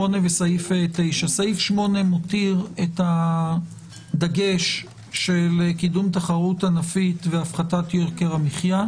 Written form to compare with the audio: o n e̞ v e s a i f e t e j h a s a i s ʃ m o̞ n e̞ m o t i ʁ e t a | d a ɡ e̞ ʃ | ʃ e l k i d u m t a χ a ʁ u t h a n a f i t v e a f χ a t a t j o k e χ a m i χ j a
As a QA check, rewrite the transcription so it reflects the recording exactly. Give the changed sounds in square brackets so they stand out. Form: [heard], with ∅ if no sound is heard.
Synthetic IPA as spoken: o n e̞ v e s a i f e t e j [ʃ] a s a i [f] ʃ m o̞ n e̞ m o t i ʁ e t a | d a ɡ e̞ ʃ | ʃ e l k i d u m t a χ a ʁ u t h a n a f i t v e a f χ a t a t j o k e [ʁ] a m i χ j a